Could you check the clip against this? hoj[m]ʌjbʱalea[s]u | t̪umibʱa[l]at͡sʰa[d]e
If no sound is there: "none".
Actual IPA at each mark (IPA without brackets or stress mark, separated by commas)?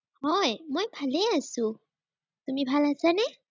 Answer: m, s, l, n